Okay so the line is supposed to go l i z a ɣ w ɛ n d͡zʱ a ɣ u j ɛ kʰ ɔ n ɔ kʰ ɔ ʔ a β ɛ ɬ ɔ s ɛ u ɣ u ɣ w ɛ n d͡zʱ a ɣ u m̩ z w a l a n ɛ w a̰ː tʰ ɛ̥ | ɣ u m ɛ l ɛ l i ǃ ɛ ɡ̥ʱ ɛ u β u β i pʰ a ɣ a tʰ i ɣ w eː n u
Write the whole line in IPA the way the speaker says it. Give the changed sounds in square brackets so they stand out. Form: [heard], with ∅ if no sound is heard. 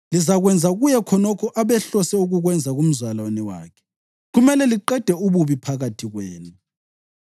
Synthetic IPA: l i z a ɣ w ɛ n d͡zʱ a ɣ u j ɛ kʰ ɔ n ɔ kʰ ɔ ʔ a β ɛ ɬ ɔ s ɛ u ɣ u ɣ w ɛ n d͡zʱ a ɣ u m̩ z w a l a n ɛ w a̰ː [kʰ] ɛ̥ | ɣ u m ɛ l ɛ l i ǃ ɛ [d̥ʱ] ɛ u β u β i pʰ a ɣ a tʰ i ɣ w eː n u